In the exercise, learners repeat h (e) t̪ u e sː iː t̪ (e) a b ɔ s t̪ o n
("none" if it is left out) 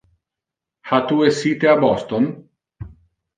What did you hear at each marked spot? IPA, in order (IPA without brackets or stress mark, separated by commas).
a, e